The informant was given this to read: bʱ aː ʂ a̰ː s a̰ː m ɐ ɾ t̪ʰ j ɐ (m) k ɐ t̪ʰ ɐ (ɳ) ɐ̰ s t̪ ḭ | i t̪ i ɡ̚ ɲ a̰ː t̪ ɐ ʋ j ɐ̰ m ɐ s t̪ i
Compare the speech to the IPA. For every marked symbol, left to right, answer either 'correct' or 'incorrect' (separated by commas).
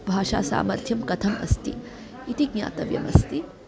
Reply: correct, incorrect